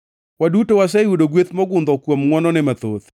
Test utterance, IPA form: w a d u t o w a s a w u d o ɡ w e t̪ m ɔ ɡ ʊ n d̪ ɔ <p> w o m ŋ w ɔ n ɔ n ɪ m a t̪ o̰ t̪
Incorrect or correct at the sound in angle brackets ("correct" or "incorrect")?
incorrect